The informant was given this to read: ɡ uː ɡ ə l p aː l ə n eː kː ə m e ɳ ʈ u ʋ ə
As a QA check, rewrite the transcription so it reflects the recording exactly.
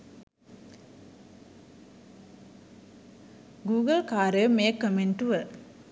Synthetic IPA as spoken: ɡ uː ɡ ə l k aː ɾ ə m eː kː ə m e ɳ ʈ u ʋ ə

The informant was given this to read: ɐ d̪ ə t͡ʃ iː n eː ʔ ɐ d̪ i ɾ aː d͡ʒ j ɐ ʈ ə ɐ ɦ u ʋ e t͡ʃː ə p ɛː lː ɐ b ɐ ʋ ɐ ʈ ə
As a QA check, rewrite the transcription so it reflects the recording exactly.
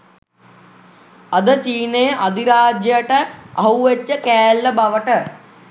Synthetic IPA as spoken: ɐ d̪ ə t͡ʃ iː n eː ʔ ɐ d̪ i ɾ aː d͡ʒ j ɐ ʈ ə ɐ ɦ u ʋ e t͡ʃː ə k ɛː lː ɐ b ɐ ʋ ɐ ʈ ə

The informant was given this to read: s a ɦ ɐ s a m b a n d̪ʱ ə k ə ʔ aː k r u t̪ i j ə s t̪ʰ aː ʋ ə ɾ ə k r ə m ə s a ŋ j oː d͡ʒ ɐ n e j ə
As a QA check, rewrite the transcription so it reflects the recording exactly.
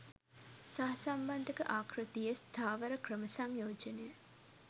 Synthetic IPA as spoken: s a ɦ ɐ s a m b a n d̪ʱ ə k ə ʔ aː k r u t̪ i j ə s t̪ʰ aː ʋ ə ɾ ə k r ə m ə s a ŋ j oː d͡ʒ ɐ n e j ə

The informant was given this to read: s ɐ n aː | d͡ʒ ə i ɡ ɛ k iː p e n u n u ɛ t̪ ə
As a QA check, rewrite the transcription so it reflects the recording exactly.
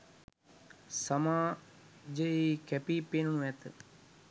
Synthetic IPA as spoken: s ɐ m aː | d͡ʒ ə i k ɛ p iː p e n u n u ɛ t̪ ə

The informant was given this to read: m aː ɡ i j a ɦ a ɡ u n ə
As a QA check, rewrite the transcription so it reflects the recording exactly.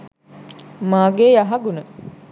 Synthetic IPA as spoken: m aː ɡ e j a ɦ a ɡ u n ə

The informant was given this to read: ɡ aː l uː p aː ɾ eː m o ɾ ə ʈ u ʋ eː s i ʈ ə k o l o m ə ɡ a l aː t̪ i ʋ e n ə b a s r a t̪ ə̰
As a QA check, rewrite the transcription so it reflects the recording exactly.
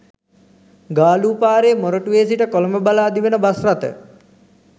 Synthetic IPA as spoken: ɡ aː l uː p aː ɾ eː m o ɾ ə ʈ u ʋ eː s i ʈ ə k o l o m ə b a l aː d̪ i ʋ e n ə b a s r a t̪ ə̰

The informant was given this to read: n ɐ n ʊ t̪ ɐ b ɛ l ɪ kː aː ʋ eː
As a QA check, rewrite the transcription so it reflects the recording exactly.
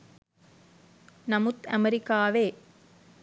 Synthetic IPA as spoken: n ɐ m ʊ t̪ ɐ m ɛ ɾ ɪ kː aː ʋ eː

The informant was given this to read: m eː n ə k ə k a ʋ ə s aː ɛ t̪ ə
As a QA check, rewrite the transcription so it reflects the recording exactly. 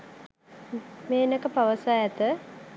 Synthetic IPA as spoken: m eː n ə k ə p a ʋ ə s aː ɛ t̪ ə

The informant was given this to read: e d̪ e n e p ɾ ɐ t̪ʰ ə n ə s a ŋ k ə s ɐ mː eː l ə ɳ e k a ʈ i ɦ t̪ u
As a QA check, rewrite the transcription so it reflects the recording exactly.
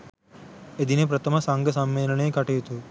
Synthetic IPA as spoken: e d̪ i n e p ɾ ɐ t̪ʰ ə m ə s a ŋ ɡ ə s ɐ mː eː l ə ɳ e k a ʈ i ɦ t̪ u

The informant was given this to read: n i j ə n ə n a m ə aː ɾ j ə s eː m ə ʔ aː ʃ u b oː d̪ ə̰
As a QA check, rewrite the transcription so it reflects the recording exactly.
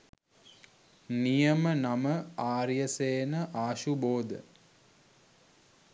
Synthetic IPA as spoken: n i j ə m ə n a m ə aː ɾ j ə s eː n ə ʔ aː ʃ u b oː d̪ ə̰

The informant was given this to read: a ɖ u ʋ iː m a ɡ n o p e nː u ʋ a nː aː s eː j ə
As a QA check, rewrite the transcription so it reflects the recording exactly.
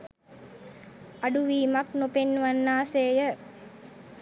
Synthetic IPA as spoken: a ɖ u ʋ iː m a k n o p e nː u ʋ a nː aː s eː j ə

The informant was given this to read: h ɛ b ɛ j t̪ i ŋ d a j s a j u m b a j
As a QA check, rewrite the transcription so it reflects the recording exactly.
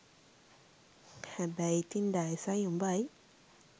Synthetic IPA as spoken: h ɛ b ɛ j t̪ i n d a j s a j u m b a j

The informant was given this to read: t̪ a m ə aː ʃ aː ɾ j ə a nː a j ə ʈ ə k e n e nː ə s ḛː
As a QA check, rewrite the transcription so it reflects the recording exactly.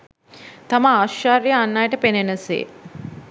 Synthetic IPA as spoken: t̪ a m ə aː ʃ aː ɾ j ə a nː a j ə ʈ ə p e n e n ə s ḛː

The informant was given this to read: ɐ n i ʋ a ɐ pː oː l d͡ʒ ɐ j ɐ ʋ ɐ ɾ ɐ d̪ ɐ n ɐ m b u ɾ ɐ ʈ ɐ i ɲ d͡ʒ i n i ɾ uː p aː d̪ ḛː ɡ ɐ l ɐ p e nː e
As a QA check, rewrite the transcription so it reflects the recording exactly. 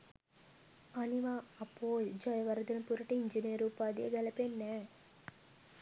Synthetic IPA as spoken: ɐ n i ʋ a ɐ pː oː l d͡ʒ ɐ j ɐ ʋ ɐ ɾ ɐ d̪ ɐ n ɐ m p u ɾ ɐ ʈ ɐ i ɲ d͡ʒ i n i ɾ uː p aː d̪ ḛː ɡ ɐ l ɐ p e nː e

